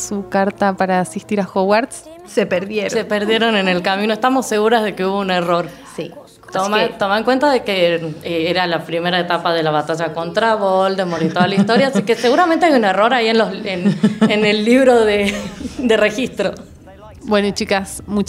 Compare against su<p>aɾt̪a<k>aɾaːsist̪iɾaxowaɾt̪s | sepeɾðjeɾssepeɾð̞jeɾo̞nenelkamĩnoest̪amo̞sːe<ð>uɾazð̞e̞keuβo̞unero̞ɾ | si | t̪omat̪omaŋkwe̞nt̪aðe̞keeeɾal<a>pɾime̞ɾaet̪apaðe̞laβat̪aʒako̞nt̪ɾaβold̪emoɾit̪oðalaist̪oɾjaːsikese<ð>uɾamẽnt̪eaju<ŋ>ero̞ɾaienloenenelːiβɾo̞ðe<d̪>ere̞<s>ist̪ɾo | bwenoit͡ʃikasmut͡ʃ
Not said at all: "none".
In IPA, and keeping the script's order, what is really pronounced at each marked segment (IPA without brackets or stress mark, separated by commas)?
k, p, ɣ, a, ɣ, n, d̪, x